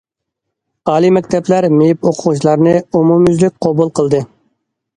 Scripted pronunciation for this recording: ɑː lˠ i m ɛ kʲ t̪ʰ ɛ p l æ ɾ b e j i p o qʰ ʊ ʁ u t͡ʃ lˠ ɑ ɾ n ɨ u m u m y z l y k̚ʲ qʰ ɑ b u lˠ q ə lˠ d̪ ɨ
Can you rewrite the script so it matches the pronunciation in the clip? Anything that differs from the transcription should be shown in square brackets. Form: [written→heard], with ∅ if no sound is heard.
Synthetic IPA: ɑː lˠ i m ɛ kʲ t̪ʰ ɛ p l æ ɾ [b→m] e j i p o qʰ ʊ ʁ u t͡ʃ lˠ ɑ ɾ n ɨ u m u m y z l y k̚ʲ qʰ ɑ b u lˠ q ə lˠ d̪ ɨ